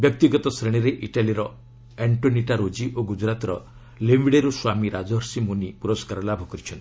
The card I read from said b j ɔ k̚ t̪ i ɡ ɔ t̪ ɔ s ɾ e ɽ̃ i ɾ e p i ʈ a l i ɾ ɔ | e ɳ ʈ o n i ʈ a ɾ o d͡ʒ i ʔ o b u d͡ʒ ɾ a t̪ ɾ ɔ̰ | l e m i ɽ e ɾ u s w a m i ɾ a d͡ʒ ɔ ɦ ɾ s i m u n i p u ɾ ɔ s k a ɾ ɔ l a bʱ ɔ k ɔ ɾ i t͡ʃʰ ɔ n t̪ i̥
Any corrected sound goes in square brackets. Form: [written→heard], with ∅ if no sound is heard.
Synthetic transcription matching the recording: b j ɔ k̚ t̪ i ɡ ɔ t̪ ɔ s ɾ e ɽ̃ i ɾ e [p→ʔ] i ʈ a l i ɾ ɔ | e ɳ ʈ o n i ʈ a ɾ o d͡ʒ i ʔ o [b→ɡ] u d͡ʒ ɾ a t̪ ɾ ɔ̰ | l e m i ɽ e ɾ u s w a m i ɾ a d͡ʒ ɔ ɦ ɾ s i m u n i p u ɾ ɔ s k a ɾ ɔ l a bʱ ɔ k ɔ ɾ i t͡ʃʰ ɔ n t̪ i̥